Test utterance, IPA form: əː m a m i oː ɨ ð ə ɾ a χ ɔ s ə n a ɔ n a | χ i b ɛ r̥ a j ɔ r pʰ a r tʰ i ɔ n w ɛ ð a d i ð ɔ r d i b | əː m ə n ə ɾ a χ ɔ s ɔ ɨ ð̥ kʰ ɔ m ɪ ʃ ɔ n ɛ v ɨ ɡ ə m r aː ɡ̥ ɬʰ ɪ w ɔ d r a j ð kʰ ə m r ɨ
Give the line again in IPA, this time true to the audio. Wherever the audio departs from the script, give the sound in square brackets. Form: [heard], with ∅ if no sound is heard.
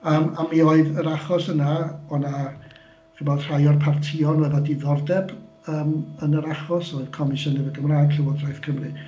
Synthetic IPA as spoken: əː m a m i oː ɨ ð ə ɾ a χ ɔ s ə n a ɔ n a | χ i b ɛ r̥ a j ɔ r pʰ a r tʰ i ɔ n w ɛ ð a d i ð ɔ r d [ɛ] b | əː m ə n ə ɾ a χ ɔ s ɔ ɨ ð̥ kʰ ɔ m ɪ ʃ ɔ n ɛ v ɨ ɡ ə m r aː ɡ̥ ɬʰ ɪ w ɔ d r a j [θ] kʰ ə m r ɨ